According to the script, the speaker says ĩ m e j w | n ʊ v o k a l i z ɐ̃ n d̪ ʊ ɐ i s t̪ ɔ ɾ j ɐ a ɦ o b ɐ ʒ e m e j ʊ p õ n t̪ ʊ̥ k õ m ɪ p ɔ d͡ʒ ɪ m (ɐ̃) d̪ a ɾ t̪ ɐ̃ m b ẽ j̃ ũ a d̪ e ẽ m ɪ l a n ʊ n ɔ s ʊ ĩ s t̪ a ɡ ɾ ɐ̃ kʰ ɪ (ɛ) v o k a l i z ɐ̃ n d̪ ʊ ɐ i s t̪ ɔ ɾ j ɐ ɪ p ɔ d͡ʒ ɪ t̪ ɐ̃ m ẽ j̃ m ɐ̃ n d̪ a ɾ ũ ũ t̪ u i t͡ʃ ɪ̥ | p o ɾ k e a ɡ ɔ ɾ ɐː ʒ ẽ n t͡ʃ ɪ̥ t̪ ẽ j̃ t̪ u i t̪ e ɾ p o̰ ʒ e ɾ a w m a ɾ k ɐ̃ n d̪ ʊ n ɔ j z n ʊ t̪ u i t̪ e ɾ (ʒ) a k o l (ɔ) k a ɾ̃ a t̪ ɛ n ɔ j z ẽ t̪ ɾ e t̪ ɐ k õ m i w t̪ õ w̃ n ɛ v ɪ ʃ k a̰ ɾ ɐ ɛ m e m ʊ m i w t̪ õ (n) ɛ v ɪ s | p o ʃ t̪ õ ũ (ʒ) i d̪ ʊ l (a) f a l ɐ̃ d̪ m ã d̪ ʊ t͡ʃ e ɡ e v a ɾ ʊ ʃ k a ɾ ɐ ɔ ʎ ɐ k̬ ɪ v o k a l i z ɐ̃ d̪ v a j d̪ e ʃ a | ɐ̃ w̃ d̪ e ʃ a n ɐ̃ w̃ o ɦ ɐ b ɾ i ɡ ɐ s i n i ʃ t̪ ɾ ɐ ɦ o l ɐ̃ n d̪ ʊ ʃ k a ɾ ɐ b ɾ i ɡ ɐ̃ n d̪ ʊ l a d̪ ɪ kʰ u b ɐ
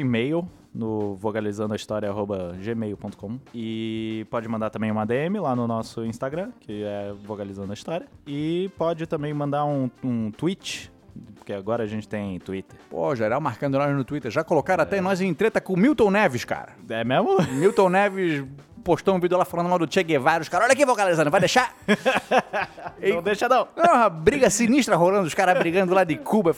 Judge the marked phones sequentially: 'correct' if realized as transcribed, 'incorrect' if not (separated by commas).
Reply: correct, correct, correct, incorrect, correct, incorrect, correct